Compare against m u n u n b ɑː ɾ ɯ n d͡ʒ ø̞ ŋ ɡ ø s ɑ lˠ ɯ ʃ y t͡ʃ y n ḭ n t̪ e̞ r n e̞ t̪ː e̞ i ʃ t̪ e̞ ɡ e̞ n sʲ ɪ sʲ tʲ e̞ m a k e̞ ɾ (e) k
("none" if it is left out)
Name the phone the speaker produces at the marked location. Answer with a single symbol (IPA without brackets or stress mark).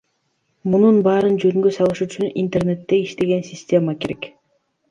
e